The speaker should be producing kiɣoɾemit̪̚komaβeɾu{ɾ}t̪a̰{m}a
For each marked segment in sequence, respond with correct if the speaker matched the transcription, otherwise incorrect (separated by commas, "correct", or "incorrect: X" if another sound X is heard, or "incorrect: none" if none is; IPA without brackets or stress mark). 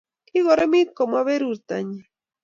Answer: correct, incorrect: ɲ